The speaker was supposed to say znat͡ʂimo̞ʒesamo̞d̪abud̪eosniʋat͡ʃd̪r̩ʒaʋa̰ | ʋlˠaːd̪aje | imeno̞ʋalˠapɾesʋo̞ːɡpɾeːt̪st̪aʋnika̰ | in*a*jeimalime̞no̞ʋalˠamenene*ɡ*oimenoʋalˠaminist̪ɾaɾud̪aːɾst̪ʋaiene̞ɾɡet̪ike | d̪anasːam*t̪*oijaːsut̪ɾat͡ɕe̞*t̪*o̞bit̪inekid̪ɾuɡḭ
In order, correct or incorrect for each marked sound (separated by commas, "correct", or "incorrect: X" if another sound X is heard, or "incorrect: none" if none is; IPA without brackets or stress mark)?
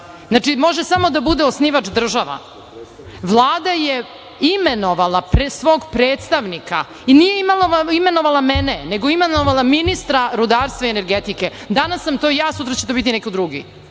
incorrect: i, correct, correct, correct